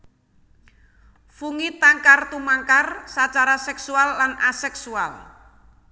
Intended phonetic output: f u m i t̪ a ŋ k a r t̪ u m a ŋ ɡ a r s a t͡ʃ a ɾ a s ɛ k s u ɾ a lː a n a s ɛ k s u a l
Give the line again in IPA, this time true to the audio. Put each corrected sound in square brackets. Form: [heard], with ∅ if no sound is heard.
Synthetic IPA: f u [ŋ] i t̪ a ŋ k a r t̪ u m a ŋ [k] a r s a t͡ʃ a ɾ a s ɛ k s u [∅] a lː a n a s ɛ k s u a l